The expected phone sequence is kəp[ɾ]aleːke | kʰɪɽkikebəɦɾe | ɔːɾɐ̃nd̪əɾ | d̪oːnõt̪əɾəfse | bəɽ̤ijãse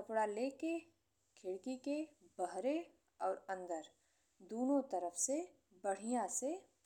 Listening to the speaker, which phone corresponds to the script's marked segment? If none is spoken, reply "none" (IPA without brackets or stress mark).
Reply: ɽ